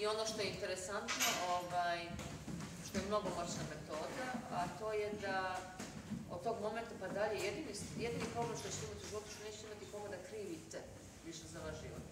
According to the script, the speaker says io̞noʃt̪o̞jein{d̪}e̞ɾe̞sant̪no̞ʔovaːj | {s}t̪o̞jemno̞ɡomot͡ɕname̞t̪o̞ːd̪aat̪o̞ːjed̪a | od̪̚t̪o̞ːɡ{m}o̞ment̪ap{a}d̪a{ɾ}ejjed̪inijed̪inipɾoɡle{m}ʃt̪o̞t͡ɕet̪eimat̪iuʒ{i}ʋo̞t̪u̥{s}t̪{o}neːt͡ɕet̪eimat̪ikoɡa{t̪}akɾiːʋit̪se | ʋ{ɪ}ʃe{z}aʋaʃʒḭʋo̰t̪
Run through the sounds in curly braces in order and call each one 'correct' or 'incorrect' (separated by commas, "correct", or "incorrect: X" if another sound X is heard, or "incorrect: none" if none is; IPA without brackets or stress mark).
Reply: incorrect: t̪, incorrect: ʃ, correct, correct, incorrect: ʎ, correct, correct, incorrect: ʃ, correct, incorrect: d̪, incorrect: i, correct